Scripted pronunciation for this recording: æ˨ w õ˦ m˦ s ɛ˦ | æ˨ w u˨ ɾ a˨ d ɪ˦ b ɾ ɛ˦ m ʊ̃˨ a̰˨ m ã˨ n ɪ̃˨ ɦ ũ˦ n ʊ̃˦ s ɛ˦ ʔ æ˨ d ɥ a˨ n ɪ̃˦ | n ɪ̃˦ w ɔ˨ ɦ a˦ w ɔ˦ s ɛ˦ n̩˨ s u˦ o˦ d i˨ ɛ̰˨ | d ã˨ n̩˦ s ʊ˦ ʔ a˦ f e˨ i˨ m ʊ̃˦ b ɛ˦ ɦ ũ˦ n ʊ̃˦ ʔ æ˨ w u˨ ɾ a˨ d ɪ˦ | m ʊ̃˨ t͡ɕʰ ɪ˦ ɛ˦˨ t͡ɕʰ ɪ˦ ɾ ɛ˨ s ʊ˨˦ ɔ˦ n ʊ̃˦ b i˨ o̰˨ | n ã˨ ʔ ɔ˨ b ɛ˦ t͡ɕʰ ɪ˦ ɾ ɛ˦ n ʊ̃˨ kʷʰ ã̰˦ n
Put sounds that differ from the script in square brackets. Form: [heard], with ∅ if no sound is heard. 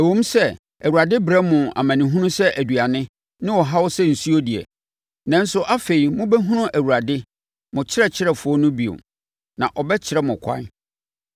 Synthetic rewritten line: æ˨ w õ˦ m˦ s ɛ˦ | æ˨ w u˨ ɾ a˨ d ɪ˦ b ɾ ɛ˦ m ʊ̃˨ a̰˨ m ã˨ n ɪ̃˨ ɦ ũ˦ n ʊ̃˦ s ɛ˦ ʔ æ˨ d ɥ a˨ n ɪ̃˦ | n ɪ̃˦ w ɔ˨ ɦ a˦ w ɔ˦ s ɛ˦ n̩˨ s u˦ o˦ d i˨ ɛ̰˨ | [n] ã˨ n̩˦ s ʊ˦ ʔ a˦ f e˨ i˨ m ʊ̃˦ b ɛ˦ ɦ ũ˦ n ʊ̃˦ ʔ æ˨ w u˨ ɾ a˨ d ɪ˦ | m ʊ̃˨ t͡ɕʰ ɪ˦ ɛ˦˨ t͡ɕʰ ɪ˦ ɾ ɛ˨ [f] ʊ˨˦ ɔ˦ n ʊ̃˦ b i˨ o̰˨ | n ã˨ ʔ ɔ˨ b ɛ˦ t͡ɕʰ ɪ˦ ɾ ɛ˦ [m] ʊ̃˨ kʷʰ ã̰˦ n